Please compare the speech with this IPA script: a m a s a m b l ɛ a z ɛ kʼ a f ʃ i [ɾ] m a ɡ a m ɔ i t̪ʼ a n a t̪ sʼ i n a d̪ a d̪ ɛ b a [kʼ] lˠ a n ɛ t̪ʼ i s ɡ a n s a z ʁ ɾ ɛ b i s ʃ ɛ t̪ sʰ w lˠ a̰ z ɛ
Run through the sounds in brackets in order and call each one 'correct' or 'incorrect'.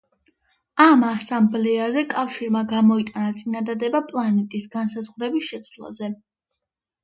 correct, incorrect: pʼ

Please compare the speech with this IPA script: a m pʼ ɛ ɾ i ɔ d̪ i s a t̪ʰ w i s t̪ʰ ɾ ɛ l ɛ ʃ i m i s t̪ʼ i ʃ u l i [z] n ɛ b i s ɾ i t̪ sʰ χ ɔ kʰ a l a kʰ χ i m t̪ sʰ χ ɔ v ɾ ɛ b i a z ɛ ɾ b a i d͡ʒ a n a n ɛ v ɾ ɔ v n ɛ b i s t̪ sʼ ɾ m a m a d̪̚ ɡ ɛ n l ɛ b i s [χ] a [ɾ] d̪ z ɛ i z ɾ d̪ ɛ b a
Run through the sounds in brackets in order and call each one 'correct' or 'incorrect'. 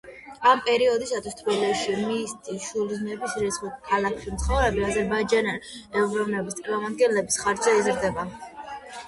correct, correct, correct

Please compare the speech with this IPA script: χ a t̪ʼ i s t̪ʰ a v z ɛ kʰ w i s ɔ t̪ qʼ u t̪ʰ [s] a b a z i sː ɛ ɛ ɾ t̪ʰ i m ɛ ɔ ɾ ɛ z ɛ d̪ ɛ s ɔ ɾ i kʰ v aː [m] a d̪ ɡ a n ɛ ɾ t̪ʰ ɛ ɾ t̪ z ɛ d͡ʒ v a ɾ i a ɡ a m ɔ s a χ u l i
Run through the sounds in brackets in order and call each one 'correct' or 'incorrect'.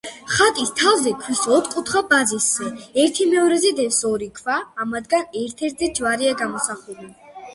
incorrect: χ, correct

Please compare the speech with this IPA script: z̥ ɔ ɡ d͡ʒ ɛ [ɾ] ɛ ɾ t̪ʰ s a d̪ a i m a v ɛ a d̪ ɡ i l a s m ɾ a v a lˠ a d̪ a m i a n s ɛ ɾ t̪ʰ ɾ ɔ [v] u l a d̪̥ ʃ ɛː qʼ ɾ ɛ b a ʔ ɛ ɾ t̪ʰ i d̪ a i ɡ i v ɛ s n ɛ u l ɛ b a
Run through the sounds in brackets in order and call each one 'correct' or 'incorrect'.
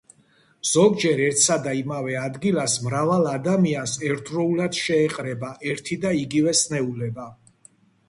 correct, incorrect: none

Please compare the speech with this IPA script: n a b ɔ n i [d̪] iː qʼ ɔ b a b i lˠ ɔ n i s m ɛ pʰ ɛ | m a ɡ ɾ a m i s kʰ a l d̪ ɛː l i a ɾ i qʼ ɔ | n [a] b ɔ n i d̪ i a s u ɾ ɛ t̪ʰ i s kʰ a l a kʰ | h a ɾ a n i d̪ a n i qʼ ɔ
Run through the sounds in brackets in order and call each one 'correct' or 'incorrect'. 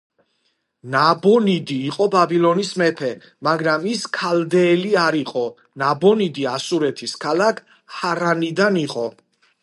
correct, correct

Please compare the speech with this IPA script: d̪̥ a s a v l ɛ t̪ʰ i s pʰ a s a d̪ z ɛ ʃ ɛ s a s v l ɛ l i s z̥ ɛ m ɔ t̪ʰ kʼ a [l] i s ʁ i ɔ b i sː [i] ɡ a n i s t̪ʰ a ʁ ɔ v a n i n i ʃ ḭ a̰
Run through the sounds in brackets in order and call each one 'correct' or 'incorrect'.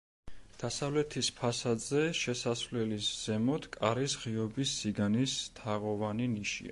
incorrect: ɾ, correct

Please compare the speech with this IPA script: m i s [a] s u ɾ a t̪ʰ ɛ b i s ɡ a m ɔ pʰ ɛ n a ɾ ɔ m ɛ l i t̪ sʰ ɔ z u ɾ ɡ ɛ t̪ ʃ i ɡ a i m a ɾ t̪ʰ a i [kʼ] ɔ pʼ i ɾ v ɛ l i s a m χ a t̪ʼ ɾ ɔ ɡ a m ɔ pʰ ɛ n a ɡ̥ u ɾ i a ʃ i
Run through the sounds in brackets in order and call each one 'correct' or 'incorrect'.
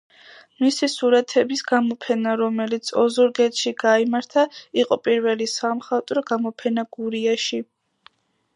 incorrect: i, incorrect: qʼ

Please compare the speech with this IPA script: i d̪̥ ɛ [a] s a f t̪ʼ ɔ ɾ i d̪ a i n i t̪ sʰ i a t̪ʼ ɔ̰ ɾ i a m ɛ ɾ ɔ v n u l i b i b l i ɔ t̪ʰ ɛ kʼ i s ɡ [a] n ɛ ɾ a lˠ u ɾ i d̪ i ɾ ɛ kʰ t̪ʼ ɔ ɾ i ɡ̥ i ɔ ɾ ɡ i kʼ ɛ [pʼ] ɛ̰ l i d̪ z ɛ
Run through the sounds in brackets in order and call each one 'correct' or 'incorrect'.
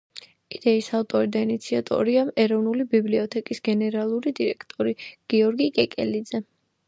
incorrect: i, incorrect: ɛ, incorrect: kʼ

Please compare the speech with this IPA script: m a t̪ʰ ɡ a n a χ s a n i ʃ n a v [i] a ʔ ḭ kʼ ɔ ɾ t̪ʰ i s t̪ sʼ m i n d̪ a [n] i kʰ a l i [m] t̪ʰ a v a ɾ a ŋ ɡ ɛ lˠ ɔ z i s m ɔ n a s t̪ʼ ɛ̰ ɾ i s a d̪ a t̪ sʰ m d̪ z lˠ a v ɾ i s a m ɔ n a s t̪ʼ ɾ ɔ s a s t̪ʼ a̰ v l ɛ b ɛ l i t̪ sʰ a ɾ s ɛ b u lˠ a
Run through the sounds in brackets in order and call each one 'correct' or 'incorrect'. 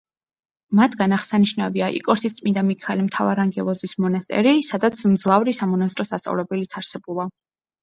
correct, incorrect: m, correct

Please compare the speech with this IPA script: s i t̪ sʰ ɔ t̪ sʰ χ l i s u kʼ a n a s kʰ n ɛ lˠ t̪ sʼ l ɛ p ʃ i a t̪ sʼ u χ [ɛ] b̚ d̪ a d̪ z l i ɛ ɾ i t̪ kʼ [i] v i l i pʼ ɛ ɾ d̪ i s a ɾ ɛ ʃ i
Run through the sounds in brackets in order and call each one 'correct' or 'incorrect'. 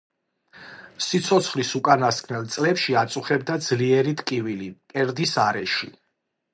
correct, correct

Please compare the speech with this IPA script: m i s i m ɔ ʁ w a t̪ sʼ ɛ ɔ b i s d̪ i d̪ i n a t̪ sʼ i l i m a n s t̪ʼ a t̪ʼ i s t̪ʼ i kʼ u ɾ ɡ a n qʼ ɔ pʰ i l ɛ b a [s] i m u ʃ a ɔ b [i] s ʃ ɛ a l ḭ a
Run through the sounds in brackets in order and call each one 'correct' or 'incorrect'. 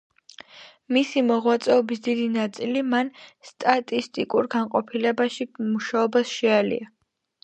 incorrect: ʃ, incorrect: a

